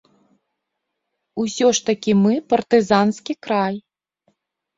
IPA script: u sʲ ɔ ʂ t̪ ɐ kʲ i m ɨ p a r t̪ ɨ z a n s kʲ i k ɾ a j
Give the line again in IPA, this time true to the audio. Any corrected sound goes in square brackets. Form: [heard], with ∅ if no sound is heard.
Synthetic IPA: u sʲ ɔ ʂ t̪ ɐ kʲ i m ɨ p [ɐ] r t̪ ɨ z a n s kʲ i k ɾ a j

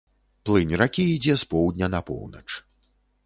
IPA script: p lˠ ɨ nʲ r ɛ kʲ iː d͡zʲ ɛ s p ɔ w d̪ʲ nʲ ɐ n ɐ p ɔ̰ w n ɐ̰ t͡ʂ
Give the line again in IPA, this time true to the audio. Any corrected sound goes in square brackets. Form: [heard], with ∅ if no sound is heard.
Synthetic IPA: p lˠ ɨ nʲ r [a] kʲ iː d͡zʲ ɛ s p ɔ w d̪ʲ nʲ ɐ n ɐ p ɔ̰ w n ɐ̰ t͡ʂ

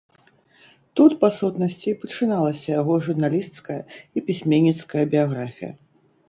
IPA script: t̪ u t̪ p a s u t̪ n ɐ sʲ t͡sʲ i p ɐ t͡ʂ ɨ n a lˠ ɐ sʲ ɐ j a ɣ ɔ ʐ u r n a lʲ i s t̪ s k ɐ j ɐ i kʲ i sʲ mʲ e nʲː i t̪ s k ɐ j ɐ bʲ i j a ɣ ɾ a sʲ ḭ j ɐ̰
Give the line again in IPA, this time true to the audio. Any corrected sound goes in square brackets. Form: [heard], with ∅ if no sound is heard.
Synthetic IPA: t̪ u t̪ p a s u t̪ n ɐ sʲ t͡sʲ i p ɐ t͡ʂ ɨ n a lˠ ɐ sʲ ɐ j a ɣ ɔ ʐ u r n a lʲ i s t̪ s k ɐ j ɐ i [pʲ] i sʲ mʲ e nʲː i t̪ s k ɐ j ɐ bʲ i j a ɣ ɾ a [fʲ] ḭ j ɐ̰

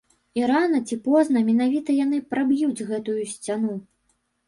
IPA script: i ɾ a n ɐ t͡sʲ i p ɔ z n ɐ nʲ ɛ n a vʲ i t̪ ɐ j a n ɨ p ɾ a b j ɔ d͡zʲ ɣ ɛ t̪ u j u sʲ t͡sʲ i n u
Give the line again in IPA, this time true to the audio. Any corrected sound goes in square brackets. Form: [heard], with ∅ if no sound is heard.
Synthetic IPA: i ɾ a n ɐ t͡sʲ i p ɔ z n ɐ [mʲ] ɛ n a vʲ i t̪ ɐ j a n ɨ p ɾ a b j [u] d͡zʲ ɣ ɛ t̪ u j u sʲ t͡sʲ [a] n u

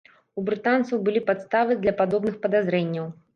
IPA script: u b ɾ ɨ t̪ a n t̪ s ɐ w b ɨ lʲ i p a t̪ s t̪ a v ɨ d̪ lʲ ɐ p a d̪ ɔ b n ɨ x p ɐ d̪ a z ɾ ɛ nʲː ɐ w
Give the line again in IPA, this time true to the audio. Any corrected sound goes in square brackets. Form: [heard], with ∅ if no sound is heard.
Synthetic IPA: u b ɾ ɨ t̪ a n t̪ s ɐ w b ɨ lʲ i p a t̪ s t̪ a v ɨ d̪ lʲ ɐ p a d̪ ɔ b n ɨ x p ɐ d̪ a z ɾ ɛ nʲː ɐ w

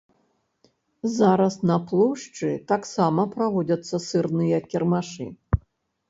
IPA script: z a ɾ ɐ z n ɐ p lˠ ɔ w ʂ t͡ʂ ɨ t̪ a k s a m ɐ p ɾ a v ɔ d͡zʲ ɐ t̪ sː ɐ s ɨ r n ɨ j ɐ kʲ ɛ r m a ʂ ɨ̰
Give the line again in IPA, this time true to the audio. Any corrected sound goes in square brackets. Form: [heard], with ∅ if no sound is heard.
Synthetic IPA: z a ɾ ɐ [s] n ɐ p lˠ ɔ w ʂ t͡ʂ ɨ t̪ a k s a m ɐ p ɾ a v ɔ d͡zʲ ɐ t̪ sː ɐ s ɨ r n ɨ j ɐ kʲ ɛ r m a ʂ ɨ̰

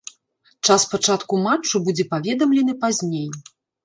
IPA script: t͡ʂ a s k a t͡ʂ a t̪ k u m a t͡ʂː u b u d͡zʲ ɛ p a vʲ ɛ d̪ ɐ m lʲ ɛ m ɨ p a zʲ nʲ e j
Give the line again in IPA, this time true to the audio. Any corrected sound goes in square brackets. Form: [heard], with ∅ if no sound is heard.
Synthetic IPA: t͡ʂ a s [p] a t͡ʂ a t̪ k u m a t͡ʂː u b u d͡zʲ ɛ p a vʲ ɛ d̪ ɐ m lʲ ɛ [n] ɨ p a zʲ nʲ e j

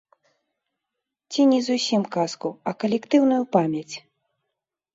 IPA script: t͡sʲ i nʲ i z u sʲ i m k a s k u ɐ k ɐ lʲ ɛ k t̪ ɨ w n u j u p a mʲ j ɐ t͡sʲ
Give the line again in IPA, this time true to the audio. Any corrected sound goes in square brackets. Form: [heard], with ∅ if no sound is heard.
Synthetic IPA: t͡sʲ i nʲ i z u sʲ i m k a s k u ɐ k ɐ lʲ ɛ k t̪ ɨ w n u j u p a mʲ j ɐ t͡sʲ

